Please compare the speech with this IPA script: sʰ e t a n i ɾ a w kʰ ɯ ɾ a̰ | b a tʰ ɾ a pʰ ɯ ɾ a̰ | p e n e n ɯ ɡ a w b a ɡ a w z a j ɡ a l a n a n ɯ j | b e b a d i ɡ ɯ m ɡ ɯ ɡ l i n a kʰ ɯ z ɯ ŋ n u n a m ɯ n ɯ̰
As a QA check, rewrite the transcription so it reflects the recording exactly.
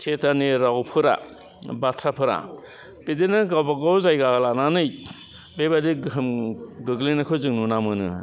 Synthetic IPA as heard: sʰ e t a n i ɾ a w pʰ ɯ ɾ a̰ | b a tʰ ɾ a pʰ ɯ ɾ a̰ | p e d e n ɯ ɡ a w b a ɡ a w z a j ɡ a l a n a n ɯ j | b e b a d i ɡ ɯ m ɡ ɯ ɡ l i n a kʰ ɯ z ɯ ŋ n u n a m ɯ n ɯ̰